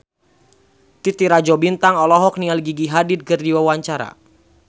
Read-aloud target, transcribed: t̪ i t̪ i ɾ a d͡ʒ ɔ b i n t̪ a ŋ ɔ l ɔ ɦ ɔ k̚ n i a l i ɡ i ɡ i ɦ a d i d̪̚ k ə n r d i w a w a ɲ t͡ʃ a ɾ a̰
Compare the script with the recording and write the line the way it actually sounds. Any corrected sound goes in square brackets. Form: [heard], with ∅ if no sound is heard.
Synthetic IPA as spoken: t̪ i t̪ i ɾ a d͡ʒ ɔ b i n t̪ a ŋ ɔ l ɔ ɦ ɔ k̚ n i a l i ɡ i ɡ i ɦ a d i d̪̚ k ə [∅] r d i w a w a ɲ t͡ʃ a ɾ a̰